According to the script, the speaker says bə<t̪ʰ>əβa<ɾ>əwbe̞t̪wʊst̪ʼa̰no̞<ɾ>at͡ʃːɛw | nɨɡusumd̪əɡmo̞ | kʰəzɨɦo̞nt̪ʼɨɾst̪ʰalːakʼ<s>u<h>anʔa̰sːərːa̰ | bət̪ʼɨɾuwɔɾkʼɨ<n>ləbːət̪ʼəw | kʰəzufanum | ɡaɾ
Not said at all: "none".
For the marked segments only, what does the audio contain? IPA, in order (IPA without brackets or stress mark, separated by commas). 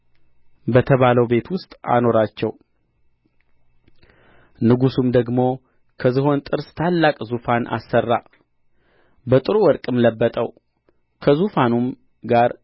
t̪ʰ, l, ɾ, z, f, m